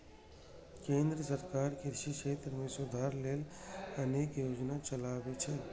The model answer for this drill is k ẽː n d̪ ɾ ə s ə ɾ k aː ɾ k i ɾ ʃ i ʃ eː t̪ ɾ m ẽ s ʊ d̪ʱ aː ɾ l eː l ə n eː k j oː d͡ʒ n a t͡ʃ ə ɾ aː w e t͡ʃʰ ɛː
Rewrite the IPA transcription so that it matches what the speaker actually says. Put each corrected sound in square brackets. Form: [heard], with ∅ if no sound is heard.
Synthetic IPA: k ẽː n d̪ ɾ ə s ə ɾ k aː ɾ k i ɾ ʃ i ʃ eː t̪ ɾ m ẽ s ʊ d̪ʱ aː ɾ l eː l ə n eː k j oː d͡ʒ n a t͡ʃ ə [l] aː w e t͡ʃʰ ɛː